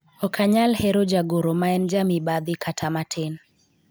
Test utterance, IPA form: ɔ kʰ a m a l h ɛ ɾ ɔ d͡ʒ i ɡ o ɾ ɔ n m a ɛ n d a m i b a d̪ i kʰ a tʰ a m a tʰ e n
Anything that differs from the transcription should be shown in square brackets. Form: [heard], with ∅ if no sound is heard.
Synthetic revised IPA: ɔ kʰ a [ɲ] a l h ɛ ɾ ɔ d͡ʒ [a] ɡ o ɾ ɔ [∅] m a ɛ n [d͡ʒ] a m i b a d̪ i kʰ a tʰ a m a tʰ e n